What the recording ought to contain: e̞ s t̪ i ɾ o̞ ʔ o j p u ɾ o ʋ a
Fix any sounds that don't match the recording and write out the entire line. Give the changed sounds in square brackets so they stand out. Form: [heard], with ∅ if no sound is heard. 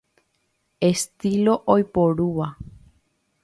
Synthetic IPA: e̞ s t̪ i [l] o̞ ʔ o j p [o] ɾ [u] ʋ a